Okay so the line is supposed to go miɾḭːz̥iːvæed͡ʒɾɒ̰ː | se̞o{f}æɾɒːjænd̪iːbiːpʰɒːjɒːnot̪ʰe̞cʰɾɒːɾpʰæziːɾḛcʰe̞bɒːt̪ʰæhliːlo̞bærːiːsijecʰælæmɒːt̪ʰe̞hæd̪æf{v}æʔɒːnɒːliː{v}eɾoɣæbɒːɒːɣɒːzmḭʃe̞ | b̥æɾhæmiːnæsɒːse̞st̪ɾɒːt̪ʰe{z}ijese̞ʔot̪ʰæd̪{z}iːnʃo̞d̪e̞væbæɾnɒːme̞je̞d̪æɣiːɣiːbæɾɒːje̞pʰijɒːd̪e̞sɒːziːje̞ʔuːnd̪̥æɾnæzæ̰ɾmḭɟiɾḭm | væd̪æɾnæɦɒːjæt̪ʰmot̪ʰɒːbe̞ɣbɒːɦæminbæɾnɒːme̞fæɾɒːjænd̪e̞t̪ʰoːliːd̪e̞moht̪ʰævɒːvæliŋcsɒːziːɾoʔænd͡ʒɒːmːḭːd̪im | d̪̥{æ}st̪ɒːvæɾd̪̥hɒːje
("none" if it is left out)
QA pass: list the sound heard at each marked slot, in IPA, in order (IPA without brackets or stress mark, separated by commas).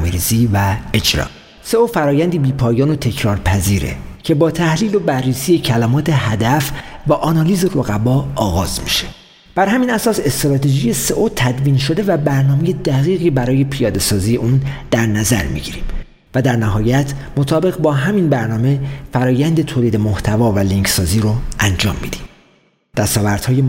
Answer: f, v, z, ʒ, v, æ